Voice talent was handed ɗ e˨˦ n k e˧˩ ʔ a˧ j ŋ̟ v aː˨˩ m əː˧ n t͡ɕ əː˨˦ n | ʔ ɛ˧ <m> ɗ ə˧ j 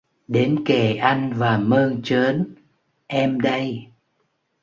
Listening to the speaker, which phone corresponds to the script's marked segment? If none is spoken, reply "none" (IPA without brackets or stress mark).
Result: m